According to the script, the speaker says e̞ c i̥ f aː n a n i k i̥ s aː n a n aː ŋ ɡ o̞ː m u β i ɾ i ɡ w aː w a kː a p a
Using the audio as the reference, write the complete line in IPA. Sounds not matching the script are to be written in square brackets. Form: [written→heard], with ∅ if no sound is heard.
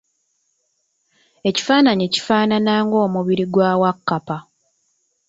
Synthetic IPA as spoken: e̞ c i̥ f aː n a [n→ɲ] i [k→c] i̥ [s→f] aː n a n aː ŋ ɡ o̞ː m u β i ɾ i ɡ w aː w a kː a p a